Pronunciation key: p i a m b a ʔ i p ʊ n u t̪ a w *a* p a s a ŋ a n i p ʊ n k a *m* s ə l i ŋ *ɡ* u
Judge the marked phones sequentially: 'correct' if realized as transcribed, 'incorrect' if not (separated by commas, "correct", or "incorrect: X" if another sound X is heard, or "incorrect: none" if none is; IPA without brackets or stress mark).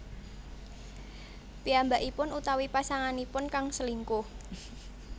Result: incorrect: i, incorrect: ŋ, incorrect: k